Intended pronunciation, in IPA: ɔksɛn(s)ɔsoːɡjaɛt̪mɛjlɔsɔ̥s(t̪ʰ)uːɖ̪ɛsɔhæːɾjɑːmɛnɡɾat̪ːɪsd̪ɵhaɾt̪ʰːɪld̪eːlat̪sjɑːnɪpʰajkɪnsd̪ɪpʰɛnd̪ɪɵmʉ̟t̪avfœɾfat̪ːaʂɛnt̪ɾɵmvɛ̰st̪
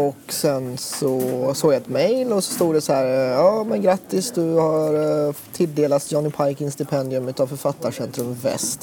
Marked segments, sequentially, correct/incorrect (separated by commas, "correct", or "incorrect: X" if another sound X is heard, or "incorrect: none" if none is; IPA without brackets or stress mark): correct, incorrect: t̪